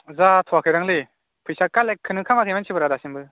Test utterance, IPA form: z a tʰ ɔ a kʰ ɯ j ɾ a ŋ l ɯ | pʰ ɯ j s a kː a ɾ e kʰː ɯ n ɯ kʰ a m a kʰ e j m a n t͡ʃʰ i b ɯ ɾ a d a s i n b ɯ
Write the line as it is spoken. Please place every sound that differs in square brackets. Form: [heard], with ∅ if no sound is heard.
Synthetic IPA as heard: z a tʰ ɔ a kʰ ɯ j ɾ a ŋ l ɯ | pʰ ɯ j s a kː a [l] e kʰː ɯ n ɯ kʰ a m a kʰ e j m a n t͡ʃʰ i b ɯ ɾ a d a s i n b ɯ